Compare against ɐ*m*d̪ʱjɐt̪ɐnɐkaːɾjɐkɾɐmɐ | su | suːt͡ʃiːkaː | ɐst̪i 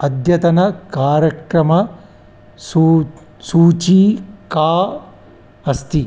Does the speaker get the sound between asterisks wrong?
yes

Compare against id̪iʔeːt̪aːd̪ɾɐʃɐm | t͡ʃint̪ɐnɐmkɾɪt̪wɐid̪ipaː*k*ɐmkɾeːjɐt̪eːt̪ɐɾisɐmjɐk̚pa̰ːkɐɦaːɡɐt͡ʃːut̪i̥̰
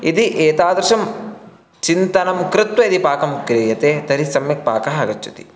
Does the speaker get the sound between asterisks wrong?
no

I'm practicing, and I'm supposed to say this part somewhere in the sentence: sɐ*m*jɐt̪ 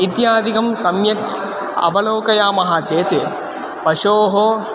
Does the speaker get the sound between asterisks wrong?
no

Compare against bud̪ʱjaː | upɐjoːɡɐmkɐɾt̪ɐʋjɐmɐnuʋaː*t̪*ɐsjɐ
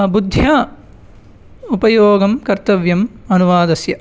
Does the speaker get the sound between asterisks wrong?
yes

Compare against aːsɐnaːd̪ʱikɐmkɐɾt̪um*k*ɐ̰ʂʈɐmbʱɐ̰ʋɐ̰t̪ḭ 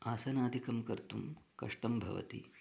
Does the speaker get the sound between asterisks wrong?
no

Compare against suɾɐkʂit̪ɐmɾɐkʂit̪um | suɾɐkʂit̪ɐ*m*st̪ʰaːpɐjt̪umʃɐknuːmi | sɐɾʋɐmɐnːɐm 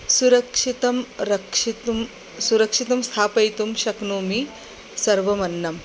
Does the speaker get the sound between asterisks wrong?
no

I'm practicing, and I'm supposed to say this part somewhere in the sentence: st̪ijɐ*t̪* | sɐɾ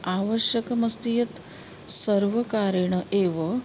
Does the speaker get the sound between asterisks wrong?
no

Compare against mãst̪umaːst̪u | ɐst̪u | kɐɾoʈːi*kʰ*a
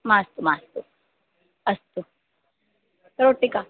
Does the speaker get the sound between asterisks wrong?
yes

